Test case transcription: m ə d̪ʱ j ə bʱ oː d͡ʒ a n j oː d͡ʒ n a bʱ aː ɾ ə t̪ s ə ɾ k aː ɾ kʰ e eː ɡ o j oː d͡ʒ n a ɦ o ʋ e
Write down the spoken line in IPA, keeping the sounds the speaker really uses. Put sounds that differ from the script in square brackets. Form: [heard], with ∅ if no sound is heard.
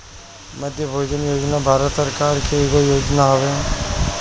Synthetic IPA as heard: m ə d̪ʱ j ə bʱ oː d͡ʒ [ə] n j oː d͡ʒ n a bʱ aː ɾ ə t̪ s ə ɾ k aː ɾ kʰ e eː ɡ o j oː d͡ʒ n a ɦ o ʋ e